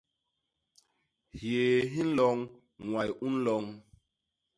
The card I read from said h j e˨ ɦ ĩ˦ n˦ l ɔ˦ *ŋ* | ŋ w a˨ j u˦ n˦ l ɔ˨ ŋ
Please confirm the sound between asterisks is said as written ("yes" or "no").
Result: yes